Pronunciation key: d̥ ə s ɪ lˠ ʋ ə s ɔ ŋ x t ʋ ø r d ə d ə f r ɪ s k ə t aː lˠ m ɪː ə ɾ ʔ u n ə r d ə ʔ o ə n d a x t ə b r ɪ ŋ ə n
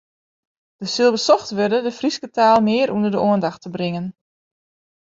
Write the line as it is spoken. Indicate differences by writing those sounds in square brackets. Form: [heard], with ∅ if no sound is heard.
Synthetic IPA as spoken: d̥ ə s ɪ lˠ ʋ ə s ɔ [∅] x t ʋ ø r d ə d ə f r [i] s k ə t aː lˠ m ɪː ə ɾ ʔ u n ə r d ə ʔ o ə n d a x t ə b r ɪ ŋ ə n